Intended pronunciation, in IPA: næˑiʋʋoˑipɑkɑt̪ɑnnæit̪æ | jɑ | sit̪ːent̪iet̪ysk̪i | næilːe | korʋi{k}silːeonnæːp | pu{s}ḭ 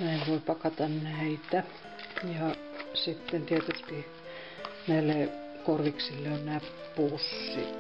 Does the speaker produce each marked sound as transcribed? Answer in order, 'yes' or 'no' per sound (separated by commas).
yes, no